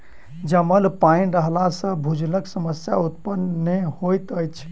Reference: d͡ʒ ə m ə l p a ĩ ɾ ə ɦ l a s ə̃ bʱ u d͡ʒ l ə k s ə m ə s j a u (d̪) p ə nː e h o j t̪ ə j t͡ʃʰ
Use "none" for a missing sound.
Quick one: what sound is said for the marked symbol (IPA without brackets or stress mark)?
t̪